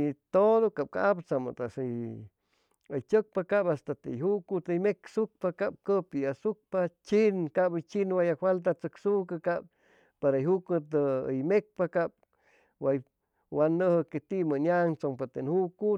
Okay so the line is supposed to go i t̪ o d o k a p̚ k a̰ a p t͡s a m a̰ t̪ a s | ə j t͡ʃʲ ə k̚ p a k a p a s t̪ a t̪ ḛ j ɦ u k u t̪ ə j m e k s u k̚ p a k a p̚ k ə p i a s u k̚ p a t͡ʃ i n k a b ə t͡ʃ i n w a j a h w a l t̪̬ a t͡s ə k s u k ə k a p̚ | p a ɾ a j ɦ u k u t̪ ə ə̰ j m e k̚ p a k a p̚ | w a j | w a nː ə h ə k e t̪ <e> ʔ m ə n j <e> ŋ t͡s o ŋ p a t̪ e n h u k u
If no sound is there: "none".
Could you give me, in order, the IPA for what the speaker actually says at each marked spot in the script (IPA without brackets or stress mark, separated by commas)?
i, a